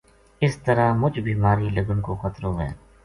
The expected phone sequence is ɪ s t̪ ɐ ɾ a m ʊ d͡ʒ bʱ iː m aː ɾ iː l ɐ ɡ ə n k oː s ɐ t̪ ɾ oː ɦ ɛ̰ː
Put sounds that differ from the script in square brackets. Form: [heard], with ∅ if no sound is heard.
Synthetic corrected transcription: ɪ s t̪ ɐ ɾ a m ʊ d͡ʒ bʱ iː m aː ɾ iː l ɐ ɡ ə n k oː [x] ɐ t̪ ɾ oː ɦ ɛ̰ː

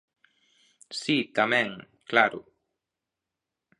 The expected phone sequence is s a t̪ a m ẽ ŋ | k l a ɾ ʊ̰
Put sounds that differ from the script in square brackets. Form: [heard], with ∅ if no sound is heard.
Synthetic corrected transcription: s [i] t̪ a m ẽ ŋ | k l a ɾ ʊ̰

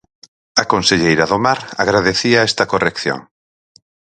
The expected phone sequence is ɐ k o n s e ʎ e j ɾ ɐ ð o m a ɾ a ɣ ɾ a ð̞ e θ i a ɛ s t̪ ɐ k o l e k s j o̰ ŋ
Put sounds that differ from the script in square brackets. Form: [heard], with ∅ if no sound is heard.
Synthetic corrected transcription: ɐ k o n s e ʎ e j ɾ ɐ ð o m a ɾ a ɣ ɾ a ð̞ e θ i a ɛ s t̪ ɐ k o [r] e k [θ] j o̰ ŋ

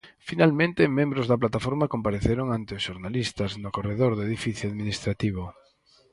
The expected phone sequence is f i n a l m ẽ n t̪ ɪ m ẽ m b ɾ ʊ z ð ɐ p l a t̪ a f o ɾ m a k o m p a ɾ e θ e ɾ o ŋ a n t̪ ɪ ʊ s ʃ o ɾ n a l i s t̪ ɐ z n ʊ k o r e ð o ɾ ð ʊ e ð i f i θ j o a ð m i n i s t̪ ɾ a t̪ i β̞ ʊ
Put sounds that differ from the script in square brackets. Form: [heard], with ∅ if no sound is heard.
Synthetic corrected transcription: f i n a l m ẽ n t̪ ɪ m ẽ m b ɾ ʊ z ð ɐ p l a t̪ a f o ɾ m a k o m p a ɾ e θ e ɾ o ŋ a n t̪ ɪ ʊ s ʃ o ɾ n a l i s t̪ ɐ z n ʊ k o r e ð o ɾ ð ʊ e ð i f i θ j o a ð m i n i s t̪ ɾ a t̪ i β̞ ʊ

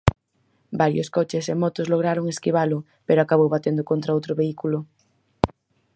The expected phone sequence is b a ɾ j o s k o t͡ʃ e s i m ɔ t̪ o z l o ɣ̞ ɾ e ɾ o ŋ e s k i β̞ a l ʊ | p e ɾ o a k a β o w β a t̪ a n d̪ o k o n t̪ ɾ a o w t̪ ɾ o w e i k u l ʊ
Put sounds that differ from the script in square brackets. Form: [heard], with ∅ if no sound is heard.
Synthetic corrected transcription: b a ɾ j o s k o t͡ʃ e s [e] m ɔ t̪ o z l o ɣ̞ ɾ [a] ɾ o ŋ e s k i β̞ a l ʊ | p e ɾ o a k a β o w β a t̪ [e] n d̪ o k o n t̪ ɾ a o w t̪ ɾ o [β] e i k u l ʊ

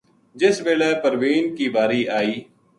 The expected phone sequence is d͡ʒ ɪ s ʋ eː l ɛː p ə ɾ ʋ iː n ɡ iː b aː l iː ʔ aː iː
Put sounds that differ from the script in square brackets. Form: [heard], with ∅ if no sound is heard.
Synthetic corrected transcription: d͡ʒ ɪ s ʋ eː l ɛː p ə ɾ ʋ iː n [k] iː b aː [ɾ] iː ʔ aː iː

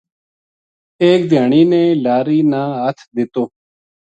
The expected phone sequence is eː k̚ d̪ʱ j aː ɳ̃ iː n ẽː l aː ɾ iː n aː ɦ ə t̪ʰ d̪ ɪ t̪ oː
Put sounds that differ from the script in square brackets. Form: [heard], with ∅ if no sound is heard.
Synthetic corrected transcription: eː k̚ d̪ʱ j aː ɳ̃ iː n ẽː l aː ɾ iː n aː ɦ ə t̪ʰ d̪ ɪ t̪ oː

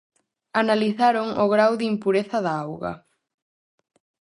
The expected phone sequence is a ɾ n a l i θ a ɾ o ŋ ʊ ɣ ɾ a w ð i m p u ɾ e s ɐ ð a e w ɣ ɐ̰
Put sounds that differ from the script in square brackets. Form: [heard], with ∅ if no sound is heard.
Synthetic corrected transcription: a [∅] n a l i θ a ɾ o ŋ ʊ ɣ ɾ a w ð i m p u ɾ e [θ] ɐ ð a [a] w ɣ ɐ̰

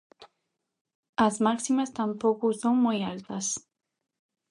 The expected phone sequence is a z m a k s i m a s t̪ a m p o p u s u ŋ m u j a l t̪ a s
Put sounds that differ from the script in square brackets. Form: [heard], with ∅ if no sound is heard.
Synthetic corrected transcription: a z m a k s i m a s t̪ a m p o [k] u s [o] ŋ m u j a l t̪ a s

